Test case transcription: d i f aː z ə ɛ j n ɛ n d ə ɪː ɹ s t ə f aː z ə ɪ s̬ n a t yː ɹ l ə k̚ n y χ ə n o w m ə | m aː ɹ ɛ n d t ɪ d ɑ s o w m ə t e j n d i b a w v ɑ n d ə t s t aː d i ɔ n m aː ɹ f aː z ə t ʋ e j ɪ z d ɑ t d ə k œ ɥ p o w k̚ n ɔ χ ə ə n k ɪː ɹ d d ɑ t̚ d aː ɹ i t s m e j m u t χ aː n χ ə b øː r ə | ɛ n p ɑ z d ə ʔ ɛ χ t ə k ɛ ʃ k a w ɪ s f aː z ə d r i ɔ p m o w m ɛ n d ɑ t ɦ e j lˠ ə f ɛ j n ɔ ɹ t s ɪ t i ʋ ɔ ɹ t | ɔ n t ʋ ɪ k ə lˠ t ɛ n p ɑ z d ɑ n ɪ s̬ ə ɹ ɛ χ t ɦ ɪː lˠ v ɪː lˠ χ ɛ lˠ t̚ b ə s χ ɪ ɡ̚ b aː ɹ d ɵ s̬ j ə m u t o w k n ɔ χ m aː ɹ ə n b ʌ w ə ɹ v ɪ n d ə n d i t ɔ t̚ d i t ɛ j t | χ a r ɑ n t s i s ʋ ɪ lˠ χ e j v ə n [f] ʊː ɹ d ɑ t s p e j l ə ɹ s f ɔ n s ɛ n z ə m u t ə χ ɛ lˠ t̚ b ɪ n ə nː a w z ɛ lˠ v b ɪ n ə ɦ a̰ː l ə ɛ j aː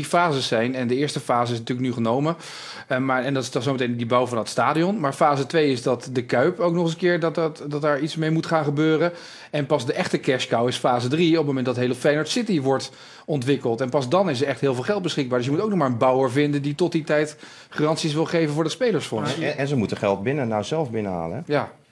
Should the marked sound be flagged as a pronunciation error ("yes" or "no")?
yes